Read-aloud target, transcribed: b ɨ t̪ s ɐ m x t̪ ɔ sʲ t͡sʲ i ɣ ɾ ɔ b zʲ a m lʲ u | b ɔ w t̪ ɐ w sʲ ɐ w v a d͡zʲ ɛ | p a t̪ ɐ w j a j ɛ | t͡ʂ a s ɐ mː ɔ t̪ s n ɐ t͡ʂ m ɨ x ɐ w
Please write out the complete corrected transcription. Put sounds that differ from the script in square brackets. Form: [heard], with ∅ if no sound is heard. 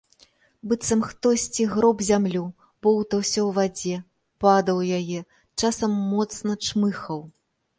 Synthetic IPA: b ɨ t̪ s ɐ m x t̪ ɔ sʲ t͡sʲ i ɣ ɾ ɔ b zʲ a m lʲ u | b ɔ w t̪ ɐ w sʲ ɐ w v a d͡zʲ ɛ | p a [d̪] ɐ w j a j ɛ | t͡ʂ a s ɐ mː ɔ t̪ s n ɐ t͡ʂ m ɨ x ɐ w